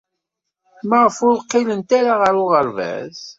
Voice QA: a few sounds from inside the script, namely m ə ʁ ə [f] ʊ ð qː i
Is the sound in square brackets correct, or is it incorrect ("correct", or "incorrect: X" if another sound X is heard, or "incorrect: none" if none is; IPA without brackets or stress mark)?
correct